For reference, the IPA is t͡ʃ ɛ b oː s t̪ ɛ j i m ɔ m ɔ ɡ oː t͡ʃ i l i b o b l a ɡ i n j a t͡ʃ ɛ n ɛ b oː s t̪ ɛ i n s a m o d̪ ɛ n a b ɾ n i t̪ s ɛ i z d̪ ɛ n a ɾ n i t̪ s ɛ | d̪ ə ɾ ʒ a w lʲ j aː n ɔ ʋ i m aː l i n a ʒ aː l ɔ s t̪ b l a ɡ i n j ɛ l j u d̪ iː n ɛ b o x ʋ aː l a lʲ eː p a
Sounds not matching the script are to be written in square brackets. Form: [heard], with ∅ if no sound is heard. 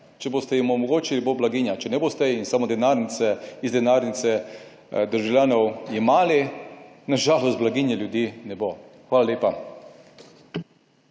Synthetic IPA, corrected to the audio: t͡ʃ ɛ b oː s t̪ ɛ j i m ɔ m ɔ ɡ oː t͡ʃ i l i b o b l a ɡ i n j a t͡ʃ ɛ n ɛ b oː s t̪ ɛ i n s a m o d̪ ɛ n a [∅] ɾ n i t̪ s ɛ i z d̪ ɛ n a ɾ n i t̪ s ɛ | d̪ ə ɾ ʒ a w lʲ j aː n ɔ [w] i m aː l i n a ʒ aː l ɔ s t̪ b l a ɡ i n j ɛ l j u d̪ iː n ɛ b o x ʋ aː l a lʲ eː p a

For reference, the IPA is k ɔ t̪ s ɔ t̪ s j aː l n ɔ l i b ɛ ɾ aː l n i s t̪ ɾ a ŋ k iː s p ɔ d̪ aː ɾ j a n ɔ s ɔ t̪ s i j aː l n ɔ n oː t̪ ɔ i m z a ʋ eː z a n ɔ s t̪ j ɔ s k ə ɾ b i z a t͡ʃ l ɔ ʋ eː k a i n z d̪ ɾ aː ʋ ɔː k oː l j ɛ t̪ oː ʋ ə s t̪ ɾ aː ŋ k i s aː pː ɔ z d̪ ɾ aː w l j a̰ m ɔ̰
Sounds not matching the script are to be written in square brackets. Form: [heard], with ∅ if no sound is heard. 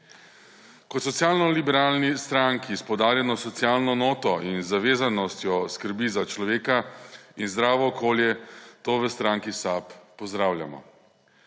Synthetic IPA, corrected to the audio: k ɔ t̪ s ɔ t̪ s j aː l n ɔ l i b ɛ ɾ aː l n i s t̪ ɾ a ŋ k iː s p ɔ d̪ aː ɾ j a n ɔ s ɔ t̪ s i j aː l n ɔ n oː t̪ ɔ i [n] z a ʋ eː z a n ɔ s t̪ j ɔ s k ə ɾ b i z a t͡ʃ l ɔ ʋ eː k a i n z d̪ ɾ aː ʋ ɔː k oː l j ɛ t̪ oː ʋ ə s t̪ ɾ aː ŋ k i s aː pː ɔ z d̪ ɾ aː w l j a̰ m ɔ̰

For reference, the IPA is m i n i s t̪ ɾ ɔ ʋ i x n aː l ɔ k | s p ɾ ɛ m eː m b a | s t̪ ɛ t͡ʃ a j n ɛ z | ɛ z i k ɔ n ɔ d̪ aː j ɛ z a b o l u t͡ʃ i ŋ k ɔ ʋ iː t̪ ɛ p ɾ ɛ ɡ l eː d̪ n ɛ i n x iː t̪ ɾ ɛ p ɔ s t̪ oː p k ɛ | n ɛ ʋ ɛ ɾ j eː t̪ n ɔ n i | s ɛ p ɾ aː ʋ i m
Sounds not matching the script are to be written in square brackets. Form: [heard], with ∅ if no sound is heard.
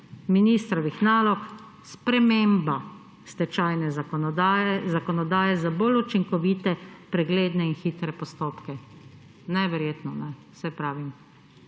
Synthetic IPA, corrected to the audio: m i n i s t̪ ɾ ɔ ʋ i x n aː l ɔ k | s p ɾ ɛ m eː m b a | s t̪ ɛ t͡ʃ a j n ɛ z | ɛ z [a] k ɔ n ɔ d̪ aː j ɛ z a b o l u t͡ʃ i ŋ k ɔ ʋ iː t̪ ɛ p ɾ ɛ ɡ l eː d̪ n ɛ i n x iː t̪ ɾ ɛ p ɔ s t̪ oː p k ɛ | n ɛ ʋ ɛ ɾ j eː t̪ n ɔ n [ɛ] | s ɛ p ɾ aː ʋ i m

